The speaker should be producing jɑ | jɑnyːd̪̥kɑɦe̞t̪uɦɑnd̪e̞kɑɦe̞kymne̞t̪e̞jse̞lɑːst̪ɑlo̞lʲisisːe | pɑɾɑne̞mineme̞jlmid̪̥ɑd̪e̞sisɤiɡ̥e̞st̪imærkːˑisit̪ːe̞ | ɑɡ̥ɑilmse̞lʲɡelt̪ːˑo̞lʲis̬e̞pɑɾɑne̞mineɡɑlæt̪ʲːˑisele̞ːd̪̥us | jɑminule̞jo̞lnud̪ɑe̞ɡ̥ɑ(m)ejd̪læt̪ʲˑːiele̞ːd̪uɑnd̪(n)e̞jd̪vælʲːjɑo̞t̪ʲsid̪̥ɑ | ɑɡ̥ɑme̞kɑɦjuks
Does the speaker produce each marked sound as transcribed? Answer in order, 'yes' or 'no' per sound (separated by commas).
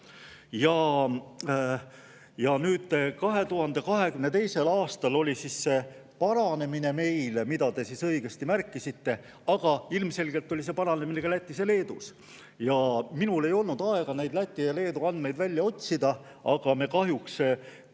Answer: no, no